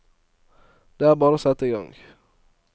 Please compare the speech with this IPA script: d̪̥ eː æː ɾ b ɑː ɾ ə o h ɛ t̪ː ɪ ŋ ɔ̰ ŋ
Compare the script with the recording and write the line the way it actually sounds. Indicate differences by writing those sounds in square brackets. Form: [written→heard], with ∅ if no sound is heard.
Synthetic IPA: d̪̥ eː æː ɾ b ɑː ɾ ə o [h→s] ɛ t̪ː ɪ [ŋ→ɡ] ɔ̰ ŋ